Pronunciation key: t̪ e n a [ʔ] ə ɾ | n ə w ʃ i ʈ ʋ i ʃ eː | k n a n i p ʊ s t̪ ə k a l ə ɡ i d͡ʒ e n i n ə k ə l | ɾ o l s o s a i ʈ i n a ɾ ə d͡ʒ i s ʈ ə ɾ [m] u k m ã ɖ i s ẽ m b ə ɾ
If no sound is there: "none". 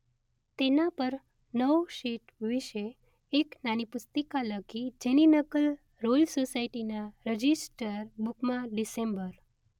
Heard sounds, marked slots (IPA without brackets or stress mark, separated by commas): p, b